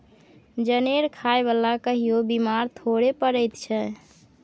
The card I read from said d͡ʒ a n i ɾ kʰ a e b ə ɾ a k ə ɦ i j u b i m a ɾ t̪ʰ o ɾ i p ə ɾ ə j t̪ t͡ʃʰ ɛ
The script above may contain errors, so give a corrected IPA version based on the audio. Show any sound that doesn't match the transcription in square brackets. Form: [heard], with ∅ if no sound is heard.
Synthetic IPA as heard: d͡ʒ [ə] n [e] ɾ kʰ a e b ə [l] a k ə ɦ i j [o] b i m a ɾ t̪ʰ o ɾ [e] p ə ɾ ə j t̪ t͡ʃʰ ɛ